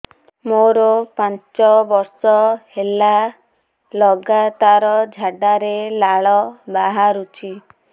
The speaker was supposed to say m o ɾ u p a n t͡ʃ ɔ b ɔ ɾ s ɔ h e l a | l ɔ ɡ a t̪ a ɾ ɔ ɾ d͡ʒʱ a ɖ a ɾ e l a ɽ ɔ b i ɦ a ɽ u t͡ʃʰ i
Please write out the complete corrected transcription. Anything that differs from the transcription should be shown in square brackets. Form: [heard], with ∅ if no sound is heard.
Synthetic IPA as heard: m o ɾ [ɔ] p a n t͡ʃ ɔ b ɔ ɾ s ɔ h e l a | l ɔ ɡ a t̪ a ɾ ɔ [∅] d͡ʒʱ a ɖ a ɾ e l a [ɭ] ɔ b [a] ɦ a [ɾ] u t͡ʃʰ i

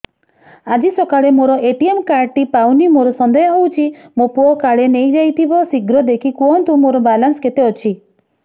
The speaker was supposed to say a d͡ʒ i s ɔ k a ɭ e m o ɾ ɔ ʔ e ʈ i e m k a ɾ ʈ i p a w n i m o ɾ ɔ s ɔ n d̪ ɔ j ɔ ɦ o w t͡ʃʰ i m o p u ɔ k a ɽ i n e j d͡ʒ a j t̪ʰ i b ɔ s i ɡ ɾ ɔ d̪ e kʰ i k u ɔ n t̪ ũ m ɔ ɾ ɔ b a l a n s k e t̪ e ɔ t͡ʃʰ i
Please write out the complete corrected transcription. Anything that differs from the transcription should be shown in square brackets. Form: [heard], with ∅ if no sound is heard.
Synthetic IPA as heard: a d͡ʒ i s ɔ k a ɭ e m o ɾ ɔ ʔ e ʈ i e m k a ɾ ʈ i p a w n i m o ɾ ɔ s ɔ n d̪ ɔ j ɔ ɦ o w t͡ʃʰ i m o p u ɔ k a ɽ [e] n e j d͡ʒ a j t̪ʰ i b ɔ s i ɡ ɾ ɔ d̪ e kʰ i k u ɔ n t̪ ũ m [o] ɾ ɔ b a l a n s k e t̪ e ɔ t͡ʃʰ i

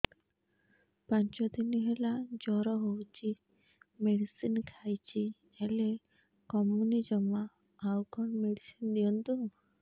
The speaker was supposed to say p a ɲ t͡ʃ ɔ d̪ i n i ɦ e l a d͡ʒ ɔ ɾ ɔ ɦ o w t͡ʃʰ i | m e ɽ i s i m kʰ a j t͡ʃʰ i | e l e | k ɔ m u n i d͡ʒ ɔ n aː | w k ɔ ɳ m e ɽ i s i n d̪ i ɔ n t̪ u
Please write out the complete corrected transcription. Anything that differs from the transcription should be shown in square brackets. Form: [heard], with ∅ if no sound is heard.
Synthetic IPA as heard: p a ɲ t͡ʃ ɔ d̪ i n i ɦ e l a d͡ʒ ɔ ɾ ɔ ɦ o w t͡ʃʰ i | m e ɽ i s i [n] kʰ a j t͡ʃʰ i | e l e | k ɔ m u n i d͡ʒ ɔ [m] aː | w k ɔ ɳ m e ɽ i s i n d̪ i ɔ n t̪ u

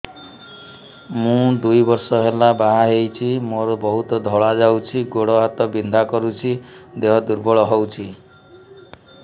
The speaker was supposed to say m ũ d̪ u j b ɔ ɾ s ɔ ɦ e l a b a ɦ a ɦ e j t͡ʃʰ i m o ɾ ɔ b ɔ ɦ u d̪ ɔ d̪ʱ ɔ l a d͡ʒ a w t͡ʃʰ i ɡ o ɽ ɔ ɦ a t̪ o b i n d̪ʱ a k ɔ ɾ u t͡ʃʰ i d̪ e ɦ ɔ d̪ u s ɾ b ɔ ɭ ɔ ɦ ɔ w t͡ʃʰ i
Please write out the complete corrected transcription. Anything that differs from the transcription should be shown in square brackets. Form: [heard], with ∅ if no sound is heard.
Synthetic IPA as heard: m ũ d̪ u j b ɔ ɾ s ɔ ɦ e l a b a ɦ a ɦ e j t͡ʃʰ i m o ɾ ɔ b ɔ ɦ u [t̪] ɔ d̪ʱ ɔ [ɭ] a d͡ʒ a w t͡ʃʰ i ɡ o ɽ ɔ ɦ a t̪ [ɔ] b i n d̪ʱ a k ɔ ɾ u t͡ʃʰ i d̪ e ɦ ɔ d̪ u [∅] ɾ b ɔ ɭ ɔ ɦ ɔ w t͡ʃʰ i

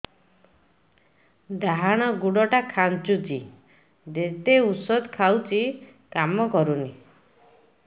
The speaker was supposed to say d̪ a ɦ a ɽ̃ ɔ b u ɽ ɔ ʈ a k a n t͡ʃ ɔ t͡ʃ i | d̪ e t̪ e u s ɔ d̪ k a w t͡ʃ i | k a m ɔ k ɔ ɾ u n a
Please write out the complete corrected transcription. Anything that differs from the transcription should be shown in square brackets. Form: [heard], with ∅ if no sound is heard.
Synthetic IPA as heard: d̪ a ɦ a ɽ̃ ɔ [ɡ] u ɽ ɔ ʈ a [kʰ] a n t͡ʃ [u] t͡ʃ i | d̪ e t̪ e u s ɔ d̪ [kʰ] a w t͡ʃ i | k a m ɔ k ɔ ɾ u n [i]

